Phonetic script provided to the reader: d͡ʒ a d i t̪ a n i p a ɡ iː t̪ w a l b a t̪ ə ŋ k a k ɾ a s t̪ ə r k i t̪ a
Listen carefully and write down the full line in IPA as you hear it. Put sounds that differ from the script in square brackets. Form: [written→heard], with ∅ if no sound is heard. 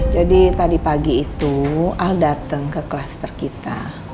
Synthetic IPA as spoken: d͡ʒ a d i t̪ a [n→d] i p a ɡ iː t̪ [w→u] a l [b→d] a t̪ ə ŋ k [a→ə] k [ɾ→l] a s t̪ ə r k i t̪ a